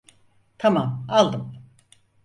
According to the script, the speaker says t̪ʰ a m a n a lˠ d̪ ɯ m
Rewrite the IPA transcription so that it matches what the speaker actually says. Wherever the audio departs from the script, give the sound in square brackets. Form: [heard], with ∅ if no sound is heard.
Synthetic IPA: t̪ʰ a m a [m] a lˠ d̪ ɯ m